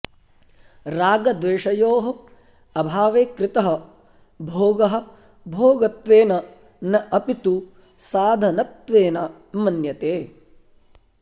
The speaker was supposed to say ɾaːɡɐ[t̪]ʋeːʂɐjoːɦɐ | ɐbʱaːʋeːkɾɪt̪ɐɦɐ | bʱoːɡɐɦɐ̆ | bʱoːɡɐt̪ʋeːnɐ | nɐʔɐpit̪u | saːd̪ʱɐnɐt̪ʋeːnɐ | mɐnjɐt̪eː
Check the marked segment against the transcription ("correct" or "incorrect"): incorrect